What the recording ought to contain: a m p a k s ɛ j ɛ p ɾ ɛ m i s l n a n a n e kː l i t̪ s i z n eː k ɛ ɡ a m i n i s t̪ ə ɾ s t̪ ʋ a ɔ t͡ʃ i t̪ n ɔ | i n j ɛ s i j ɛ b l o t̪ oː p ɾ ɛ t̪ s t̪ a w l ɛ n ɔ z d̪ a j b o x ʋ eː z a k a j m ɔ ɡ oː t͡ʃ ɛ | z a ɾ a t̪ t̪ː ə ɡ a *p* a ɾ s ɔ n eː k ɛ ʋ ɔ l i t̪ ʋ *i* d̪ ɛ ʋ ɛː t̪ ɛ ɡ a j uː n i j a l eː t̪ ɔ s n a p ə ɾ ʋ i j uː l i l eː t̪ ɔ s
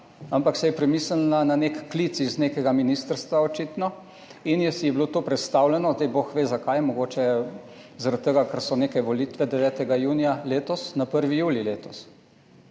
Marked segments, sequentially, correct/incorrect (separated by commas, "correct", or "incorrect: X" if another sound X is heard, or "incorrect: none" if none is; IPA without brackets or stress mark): incorrect: k, incorrect: ɛ